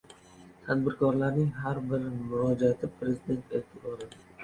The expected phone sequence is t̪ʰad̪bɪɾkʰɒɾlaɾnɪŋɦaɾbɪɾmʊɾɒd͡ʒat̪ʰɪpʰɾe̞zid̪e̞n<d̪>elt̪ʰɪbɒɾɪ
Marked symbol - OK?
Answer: no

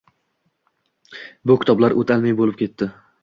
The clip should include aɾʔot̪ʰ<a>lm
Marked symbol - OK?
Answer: yes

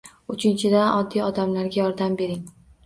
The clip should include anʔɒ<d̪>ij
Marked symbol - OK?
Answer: no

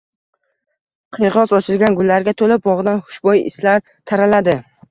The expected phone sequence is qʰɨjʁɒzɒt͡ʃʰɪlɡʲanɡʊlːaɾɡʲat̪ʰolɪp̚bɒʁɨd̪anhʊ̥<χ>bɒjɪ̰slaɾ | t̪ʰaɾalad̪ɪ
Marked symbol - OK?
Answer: no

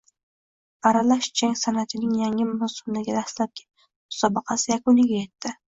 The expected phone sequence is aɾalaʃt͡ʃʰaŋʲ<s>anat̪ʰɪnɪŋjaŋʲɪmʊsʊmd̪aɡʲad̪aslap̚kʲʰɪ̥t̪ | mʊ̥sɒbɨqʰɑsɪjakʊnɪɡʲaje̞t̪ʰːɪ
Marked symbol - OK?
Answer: yes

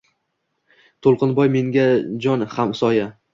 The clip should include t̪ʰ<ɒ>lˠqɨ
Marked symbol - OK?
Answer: no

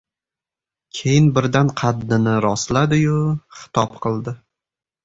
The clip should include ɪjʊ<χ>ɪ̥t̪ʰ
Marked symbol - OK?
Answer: yes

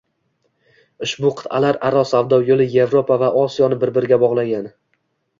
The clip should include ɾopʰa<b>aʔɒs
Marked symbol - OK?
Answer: no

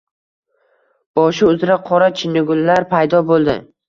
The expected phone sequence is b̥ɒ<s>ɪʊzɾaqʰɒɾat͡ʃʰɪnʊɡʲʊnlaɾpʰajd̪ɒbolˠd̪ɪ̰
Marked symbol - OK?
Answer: no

